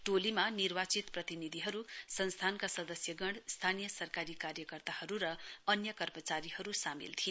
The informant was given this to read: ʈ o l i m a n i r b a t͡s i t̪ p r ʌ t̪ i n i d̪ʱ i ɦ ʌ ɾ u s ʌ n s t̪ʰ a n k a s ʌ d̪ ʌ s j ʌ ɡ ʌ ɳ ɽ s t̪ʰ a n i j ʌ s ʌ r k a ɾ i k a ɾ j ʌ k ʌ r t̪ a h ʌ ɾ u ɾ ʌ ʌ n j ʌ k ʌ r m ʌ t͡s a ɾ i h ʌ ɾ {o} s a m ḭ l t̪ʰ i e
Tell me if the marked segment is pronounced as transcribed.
no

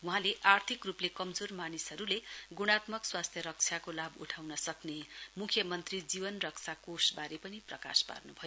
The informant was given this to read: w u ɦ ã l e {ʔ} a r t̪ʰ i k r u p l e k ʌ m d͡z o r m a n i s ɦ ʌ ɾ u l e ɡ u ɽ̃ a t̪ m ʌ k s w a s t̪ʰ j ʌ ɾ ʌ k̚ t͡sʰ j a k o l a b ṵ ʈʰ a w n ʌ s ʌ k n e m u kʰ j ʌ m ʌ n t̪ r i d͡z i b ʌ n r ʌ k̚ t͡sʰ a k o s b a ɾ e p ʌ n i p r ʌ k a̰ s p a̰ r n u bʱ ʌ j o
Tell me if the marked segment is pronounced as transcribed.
yes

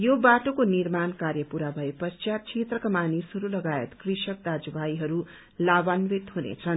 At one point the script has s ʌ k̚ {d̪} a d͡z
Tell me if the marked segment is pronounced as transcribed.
yes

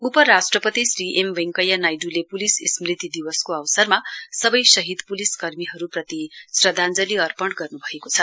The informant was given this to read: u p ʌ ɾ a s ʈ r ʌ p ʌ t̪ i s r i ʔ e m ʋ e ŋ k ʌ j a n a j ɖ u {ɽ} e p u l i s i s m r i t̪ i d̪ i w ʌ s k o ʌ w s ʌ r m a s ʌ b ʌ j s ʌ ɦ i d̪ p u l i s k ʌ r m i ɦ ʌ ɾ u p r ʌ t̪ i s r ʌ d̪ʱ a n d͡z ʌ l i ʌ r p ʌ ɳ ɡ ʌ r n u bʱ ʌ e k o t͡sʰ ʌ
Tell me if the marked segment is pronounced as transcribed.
no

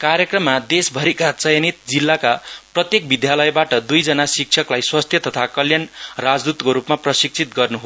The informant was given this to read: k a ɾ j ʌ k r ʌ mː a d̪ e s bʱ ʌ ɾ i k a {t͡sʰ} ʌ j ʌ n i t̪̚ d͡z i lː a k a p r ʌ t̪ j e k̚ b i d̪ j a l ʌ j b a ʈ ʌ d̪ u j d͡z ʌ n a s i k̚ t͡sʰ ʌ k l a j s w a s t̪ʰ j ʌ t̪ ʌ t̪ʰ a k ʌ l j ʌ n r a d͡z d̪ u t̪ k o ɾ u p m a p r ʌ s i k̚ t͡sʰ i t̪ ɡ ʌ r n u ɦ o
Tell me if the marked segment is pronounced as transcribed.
no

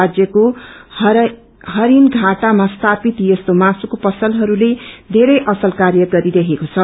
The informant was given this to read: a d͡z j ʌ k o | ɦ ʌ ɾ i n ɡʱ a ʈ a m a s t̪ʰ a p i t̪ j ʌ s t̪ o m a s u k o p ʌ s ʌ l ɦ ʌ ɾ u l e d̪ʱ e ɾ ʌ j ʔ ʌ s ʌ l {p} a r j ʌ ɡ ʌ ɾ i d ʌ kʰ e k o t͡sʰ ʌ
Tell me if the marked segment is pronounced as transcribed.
no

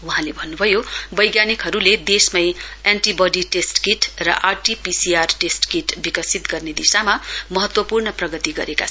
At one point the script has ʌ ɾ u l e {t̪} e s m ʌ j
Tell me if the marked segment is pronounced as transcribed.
no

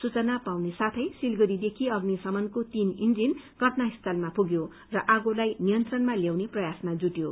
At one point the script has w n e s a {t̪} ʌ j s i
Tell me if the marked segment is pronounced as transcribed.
no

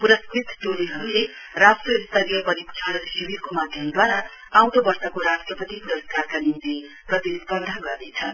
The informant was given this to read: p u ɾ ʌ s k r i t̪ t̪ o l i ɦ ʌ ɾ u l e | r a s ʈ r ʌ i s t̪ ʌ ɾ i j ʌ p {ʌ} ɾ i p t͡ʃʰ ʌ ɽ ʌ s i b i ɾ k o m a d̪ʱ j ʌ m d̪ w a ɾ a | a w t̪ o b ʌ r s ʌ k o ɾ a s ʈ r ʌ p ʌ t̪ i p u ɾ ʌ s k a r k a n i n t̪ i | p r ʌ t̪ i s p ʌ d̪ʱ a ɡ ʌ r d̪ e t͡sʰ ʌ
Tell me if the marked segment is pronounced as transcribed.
yes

